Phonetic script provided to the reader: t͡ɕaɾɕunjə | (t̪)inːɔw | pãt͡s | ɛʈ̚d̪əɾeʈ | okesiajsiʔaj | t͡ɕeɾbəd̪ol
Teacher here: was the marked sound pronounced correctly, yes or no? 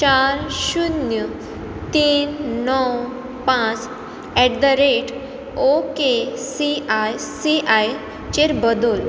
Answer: yes